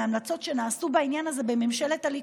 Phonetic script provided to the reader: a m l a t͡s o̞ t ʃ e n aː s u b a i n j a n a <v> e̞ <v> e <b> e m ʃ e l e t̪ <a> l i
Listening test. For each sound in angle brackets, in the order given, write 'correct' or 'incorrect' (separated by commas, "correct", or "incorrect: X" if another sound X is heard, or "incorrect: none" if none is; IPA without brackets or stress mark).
incorrect: z, incorrect: b, incorrect: m, correct